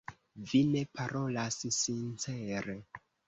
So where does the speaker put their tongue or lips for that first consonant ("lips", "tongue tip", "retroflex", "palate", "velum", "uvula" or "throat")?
lips